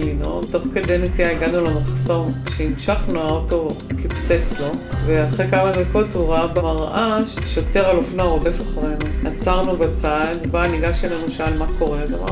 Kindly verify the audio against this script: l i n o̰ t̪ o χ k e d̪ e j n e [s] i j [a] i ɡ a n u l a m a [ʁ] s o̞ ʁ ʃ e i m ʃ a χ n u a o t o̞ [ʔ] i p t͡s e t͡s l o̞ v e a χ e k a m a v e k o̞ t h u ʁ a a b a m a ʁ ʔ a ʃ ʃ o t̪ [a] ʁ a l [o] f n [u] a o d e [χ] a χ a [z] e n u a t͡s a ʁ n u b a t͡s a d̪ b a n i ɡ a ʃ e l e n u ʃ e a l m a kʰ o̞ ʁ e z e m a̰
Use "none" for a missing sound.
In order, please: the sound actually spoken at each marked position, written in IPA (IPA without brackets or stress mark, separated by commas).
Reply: s, a, χ, k, e, o, o, f, ʁ